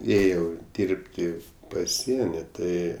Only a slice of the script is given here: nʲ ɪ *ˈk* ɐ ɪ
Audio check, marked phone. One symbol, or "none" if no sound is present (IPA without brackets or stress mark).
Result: t